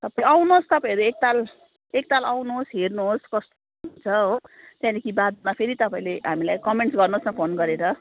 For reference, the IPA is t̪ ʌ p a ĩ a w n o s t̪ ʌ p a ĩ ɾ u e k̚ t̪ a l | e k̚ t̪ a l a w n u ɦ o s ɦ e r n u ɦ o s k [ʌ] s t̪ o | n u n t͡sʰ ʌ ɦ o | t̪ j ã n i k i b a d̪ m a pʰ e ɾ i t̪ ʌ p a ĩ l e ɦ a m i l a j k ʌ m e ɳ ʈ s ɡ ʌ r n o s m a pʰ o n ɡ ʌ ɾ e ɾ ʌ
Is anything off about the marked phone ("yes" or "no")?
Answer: no